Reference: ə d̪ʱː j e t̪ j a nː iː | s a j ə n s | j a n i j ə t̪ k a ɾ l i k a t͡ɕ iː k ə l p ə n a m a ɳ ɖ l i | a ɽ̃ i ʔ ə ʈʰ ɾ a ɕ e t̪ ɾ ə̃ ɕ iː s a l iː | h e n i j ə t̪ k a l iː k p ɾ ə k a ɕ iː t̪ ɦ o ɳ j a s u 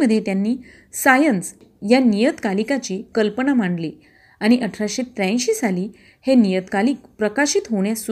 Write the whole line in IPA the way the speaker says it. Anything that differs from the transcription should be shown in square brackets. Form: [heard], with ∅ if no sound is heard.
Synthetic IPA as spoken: ə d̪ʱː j e t̪ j a nː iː | s a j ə n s | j a n i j ə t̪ k a [∅] l i k a t͡ɕ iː k ə l p ə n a m a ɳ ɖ l i | a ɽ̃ i ʔ ə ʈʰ ɾ a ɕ e t̪ ɾ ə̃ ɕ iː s a l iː | h e n i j ə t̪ k a l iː k p ɾ ə k a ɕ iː t̪ ɦ o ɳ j a s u